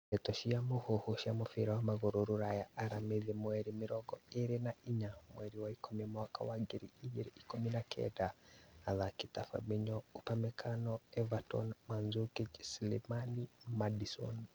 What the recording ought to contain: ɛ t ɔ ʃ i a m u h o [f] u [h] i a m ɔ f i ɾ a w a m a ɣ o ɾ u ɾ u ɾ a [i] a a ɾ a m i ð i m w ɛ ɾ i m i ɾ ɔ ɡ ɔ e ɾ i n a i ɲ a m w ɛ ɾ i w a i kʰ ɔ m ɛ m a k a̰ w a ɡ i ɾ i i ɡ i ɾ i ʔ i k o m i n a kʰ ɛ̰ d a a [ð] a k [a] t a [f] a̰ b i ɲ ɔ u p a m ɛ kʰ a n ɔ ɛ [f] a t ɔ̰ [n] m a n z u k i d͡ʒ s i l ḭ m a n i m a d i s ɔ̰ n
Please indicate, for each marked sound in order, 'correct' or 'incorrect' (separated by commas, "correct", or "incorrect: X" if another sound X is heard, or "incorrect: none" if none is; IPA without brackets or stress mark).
incorrect: h, incorrect: ʃ, incorrect: j, correct, incorrect: i, correct, incorrect: v, correct